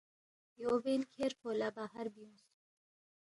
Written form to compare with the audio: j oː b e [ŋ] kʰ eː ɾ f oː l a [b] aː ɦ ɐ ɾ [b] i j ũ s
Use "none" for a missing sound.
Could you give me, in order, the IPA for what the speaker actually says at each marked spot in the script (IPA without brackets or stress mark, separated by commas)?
n, b, b